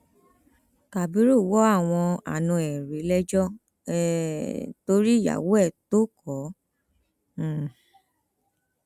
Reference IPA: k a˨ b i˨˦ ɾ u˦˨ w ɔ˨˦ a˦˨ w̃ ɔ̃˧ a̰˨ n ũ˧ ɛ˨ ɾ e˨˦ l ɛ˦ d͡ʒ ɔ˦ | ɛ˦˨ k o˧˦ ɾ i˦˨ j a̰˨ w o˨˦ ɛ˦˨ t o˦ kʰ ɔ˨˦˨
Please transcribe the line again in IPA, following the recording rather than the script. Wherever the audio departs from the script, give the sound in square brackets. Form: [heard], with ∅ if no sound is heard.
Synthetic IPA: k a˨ b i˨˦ ɾ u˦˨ w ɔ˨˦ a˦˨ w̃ ɔ̃˧ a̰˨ n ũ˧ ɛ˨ ɾ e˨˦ l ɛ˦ d͡ʒ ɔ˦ | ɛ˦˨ [t] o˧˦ ɾ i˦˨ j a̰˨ w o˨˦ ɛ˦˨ t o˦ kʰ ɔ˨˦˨